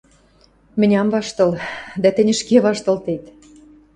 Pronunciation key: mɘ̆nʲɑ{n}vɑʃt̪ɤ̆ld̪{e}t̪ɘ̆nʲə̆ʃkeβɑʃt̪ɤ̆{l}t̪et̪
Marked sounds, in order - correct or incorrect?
incorrect: m, incorrect: æ, correct

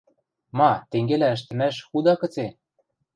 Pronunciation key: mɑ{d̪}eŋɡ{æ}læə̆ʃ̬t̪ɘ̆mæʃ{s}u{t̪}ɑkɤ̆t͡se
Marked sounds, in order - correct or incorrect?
incorrect: t̪, incorrect: e, incorrect: x, incorrect: d̪

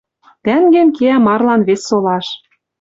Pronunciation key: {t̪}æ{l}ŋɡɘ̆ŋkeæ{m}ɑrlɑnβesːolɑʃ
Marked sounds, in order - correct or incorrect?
correct, incorrect: none, correct

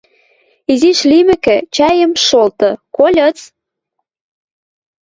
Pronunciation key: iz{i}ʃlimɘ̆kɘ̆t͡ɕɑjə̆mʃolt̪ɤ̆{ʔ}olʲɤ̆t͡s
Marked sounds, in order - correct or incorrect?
correct, incorrect: k

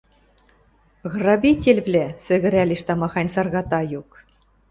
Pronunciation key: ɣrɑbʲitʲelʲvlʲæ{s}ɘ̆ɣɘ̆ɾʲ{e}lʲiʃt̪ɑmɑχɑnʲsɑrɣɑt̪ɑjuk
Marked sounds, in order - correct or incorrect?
correct, incorrect: æ

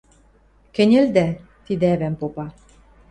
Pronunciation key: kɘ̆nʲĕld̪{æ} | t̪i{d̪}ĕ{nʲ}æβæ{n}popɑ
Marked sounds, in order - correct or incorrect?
correct, correct, incorrect: none, incorrect: m

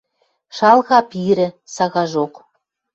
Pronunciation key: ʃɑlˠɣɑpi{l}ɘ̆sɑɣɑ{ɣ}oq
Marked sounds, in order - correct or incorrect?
incorrect: ɾ, incorrect: ʒ

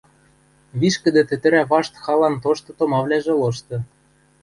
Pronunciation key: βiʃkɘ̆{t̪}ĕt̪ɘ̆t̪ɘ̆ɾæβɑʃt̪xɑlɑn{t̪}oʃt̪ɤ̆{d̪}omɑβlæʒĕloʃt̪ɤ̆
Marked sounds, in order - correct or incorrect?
incorrect: d̪, correct, incorrect: t̪

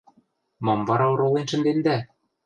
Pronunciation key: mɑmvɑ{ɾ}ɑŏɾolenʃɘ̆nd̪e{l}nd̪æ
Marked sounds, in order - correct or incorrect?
correct, incorrect: none

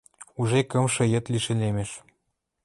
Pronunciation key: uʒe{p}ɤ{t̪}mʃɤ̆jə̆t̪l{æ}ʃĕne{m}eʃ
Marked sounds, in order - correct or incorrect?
incorrect: k, incorrect: none, incorrect: i, correct

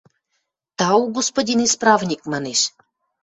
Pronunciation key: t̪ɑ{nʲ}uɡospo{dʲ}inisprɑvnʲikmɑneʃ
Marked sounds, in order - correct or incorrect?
incorrect: none, correct

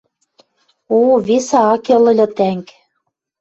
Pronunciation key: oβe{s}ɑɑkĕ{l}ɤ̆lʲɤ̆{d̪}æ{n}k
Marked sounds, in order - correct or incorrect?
correct, correct, incorrect: t̪, incorrect: ŋ

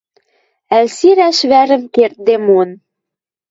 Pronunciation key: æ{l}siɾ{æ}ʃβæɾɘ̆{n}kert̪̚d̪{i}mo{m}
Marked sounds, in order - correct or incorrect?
correct, correct, incorrect: m, incorrect: e, incorrect: n

